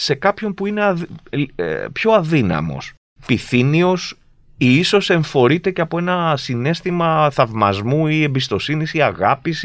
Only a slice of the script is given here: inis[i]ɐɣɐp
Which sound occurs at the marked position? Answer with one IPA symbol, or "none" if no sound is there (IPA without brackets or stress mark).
i